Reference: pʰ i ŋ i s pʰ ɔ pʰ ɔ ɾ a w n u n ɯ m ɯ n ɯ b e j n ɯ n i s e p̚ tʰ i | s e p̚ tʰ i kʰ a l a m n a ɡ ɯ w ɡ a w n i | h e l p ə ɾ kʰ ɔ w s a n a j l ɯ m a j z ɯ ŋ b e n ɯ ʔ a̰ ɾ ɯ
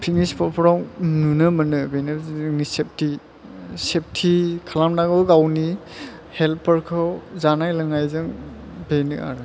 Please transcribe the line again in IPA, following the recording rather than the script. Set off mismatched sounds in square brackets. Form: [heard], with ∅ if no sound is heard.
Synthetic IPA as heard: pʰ i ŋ i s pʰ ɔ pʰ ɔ ɾ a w n u n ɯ m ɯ n ɯ b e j n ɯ n i s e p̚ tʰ i | s e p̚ tʰ i kʰ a l a m n a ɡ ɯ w ɡ a w n i | h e l p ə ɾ kʰ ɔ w [z] a n a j l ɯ [ŋ] a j z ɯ ŋ b e n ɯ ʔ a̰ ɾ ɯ